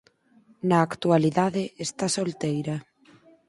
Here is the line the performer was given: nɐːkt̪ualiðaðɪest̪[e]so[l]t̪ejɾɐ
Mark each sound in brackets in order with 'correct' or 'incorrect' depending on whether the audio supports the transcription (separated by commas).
incorrect, correct